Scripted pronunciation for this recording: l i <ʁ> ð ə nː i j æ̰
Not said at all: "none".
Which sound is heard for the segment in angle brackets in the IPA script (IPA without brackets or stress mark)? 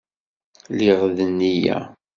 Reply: ʁ